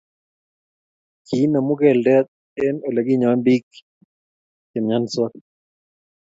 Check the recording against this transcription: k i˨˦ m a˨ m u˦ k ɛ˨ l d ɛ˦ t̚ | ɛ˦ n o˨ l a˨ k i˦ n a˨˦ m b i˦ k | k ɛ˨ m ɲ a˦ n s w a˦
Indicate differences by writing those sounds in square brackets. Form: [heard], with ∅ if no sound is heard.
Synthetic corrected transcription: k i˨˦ [n] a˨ m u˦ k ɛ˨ l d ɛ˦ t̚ | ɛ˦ n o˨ l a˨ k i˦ [ɲ] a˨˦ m b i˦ k | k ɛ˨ m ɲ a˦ n s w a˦